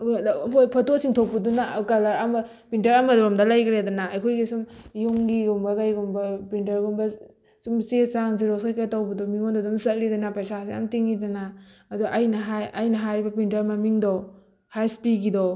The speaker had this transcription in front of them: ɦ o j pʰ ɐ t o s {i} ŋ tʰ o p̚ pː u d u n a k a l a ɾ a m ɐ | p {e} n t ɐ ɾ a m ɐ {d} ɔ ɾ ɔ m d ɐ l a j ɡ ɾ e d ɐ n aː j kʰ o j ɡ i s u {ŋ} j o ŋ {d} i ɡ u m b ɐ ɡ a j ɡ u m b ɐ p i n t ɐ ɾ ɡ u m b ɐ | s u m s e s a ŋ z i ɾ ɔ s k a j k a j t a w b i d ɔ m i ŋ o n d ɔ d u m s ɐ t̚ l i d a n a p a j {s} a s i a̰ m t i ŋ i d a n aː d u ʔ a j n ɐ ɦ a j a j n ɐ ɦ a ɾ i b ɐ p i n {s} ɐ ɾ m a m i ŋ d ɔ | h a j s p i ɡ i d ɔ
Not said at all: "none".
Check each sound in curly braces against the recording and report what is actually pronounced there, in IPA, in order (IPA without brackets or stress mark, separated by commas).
i, i, d, m, ɡ, s, t